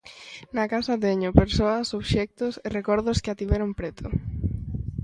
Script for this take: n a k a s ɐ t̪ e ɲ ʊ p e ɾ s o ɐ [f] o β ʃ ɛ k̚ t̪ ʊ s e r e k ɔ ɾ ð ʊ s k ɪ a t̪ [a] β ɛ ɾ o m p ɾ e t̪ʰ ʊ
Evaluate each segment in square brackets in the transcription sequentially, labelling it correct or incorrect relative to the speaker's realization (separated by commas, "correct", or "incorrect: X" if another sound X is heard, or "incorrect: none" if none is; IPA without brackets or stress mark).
incorrect: s, incorrect: i